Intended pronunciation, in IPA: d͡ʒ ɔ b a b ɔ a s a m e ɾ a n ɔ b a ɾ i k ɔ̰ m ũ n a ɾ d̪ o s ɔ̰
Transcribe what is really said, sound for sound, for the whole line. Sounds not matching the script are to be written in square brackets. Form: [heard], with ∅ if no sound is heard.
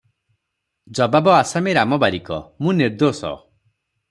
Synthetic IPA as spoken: d͡ʒ ɔ b a b ɔ a s a m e ɾ a [m] ɔ b a ɾ i k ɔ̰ m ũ n [i] ɾ d̪ o s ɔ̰